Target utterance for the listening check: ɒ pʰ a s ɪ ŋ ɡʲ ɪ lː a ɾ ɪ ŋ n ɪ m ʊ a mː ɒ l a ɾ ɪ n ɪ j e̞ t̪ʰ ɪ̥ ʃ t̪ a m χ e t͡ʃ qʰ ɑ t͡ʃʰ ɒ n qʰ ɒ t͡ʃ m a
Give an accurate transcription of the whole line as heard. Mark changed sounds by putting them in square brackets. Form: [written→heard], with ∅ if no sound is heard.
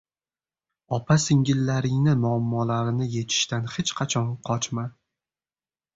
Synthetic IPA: ɒ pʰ a s ɪ ŋ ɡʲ ɪ lː a ɾ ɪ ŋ n ɪ m ʊ a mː ɒ l a ɾ ɪ n ɪ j e̞ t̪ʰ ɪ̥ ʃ t̪ a [m→n] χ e t͡ʃ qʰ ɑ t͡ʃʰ ɒ n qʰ ɒ t͡ʃ m a

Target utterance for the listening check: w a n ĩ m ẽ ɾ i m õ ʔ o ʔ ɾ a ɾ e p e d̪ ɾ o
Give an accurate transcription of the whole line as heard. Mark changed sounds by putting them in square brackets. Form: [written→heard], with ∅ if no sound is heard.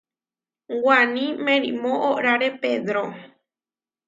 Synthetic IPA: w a n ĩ m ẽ ɾ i m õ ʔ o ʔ ɾ a ɾ e p e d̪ ɾ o

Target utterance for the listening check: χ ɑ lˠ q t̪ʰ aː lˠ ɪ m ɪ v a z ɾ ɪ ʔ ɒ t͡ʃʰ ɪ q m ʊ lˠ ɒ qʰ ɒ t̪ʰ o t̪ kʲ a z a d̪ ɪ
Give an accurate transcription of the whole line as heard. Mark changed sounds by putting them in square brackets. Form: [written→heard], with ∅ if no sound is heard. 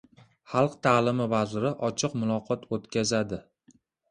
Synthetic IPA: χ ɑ lˠ q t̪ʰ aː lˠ ɪ m ɪ v a z ɾ ɪ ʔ ɒ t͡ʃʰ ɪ q m ʊ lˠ ɒ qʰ ɒ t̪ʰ o t̪ kʲ a z a d̪ ɪ

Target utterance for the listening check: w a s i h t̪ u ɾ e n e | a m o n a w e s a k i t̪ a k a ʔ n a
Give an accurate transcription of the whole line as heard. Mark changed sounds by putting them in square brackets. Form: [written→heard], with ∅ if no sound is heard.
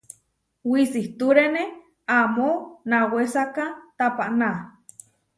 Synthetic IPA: w [a→i] s i h t̪ u ɾ e n e | a m o n a w e s a k [i→a] t̪ a [k→p] a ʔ n a

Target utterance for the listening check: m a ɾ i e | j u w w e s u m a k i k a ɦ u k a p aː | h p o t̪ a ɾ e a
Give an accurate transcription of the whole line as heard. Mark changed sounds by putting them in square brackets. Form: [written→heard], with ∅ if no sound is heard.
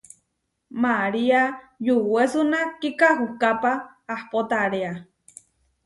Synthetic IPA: m a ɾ i [e→a] | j u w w e s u [m→n] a k i k a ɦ u k a p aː | h p o t̪ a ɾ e a

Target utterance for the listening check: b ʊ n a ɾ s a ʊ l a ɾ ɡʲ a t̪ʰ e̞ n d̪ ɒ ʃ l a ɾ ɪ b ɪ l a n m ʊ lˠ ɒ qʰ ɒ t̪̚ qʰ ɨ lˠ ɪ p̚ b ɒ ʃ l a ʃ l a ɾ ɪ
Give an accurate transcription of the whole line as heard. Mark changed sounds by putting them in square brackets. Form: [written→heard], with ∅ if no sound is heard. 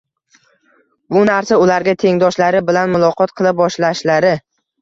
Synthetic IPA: b ʊ n a ɾ s a ʊ l a ɾ ɡʲ a t̪ʰ e̞ [n→ŋ] d̪ ɒ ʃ l a ɾ ɪ b ɪ l a n m ʊ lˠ ɒ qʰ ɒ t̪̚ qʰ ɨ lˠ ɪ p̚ b ɒ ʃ l a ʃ l a ɾ ɪ

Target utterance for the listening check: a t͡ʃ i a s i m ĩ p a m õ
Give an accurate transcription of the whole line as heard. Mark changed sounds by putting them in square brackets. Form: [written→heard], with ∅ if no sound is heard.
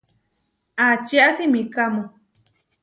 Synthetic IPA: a t͡ʃ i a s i m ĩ [p→k] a m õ

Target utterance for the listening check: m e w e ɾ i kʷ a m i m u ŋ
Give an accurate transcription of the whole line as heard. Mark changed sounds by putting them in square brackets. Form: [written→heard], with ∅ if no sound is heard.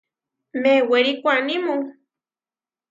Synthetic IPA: m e w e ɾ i kʷ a [m→n] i m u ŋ

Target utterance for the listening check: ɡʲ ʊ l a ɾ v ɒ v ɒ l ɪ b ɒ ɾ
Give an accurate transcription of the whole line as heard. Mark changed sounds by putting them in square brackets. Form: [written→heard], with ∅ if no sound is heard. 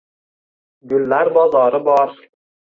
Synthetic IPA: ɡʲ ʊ [l→lː] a ɾ [v→b] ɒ [v→z] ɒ [l→ɾ] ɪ b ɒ ɾ

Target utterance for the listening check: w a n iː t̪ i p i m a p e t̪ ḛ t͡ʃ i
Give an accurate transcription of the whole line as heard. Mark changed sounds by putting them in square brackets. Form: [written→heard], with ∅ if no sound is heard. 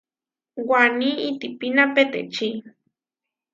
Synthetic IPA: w a n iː t̪ i p i [m→n] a p e t̪ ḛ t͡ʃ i

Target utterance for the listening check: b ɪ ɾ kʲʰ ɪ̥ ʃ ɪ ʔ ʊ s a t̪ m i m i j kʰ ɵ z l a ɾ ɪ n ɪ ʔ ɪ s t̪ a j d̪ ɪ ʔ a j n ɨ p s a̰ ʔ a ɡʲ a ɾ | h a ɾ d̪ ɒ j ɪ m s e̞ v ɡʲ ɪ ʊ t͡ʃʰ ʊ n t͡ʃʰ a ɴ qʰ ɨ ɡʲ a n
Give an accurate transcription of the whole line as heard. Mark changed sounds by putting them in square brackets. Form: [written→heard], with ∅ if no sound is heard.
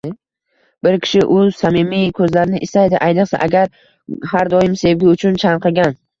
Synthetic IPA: b ɪ ɾ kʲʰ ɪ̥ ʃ ɪ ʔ ʊ s a [t̪→∅] m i m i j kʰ ɵ z l a ɾ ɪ n ɪ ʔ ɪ s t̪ a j d̪ ɪ ʔ a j n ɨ [p→q] s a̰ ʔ a ɡʲ a ɾ | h a ɾ d̪ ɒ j ɪ m s e̞ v ɡʲ ɪ ʊ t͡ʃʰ ʊ n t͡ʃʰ a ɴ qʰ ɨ ɡʲ a n

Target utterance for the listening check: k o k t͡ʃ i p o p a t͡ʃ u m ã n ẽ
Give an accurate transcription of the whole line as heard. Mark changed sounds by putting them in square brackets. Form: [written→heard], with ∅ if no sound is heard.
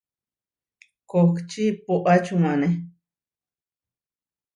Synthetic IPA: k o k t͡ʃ i p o [p→ʔ] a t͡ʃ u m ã n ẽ

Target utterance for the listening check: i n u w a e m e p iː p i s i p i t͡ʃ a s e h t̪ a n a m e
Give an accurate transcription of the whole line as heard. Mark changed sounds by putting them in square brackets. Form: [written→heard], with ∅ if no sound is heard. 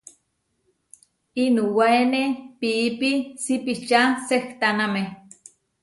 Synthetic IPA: i n u w a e [m→n] e p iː p i s i p i t͡ʃ a s e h t̪ a n a m e

